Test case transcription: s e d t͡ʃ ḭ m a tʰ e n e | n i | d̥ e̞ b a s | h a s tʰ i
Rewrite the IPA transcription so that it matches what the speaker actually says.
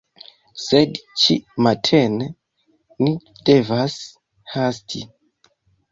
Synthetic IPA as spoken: s e d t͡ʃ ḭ m a tʰ e n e | n i | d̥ e̞ v a s | h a s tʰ i

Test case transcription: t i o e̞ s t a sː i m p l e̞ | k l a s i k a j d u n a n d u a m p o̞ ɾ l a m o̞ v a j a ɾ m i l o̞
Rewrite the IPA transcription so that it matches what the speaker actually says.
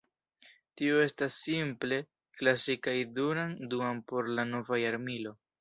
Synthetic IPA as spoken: t i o e̞ s t a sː i m p l e̞ | k l a s i k a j d u n a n d u a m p o̞ ɾ l a n o̞ v a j a ɾ m i l o̞

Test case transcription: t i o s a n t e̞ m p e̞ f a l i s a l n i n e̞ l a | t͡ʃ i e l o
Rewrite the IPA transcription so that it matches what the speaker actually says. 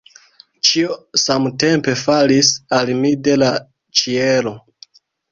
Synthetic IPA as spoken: t͡ʃ i o s a m t e̞ m p e̞ f a l i s a l m i d e̞ l a | t͡ʃ i e l o

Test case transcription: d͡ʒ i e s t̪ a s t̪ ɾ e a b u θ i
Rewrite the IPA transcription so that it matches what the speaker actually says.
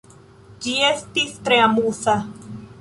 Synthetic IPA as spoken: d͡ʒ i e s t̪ i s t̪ ɾ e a m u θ a

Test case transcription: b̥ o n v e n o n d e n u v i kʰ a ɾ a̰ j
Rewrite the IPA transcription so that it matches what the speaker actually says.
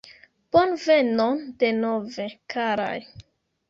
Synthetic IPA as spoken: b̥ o n v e n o n d e n o v e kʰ a ɾ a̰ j

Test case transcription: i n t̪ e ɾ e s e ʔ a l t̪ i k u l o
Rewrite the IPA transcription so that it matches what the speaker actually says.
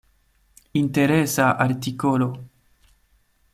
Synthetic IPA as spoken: i n t̪ e ɾ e s a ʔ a ɾ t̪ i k o l o

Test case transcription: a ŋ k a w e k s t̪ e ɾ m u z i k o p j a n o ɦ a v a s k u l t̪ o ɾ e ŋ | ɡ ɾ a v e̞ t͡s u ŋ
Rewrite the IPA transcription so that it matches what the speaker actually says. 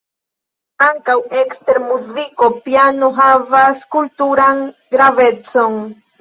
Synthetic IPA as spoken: a ŋ k a w e k s t̪ e ɾ m u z i k o p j a n o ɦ a v a s k u l t̪ u ɾ a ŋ | ɡ ɾ a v e̞ t͡s o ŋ

